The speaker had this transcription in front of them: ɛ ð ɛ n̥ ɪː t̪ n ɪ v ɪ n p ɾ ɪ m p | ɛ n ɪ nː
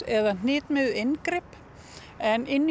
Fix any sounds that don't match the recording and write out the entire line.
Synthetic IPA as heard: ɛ ð a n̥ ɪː t̪ m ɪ ð ɪ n k ɾ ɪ p | ɛ n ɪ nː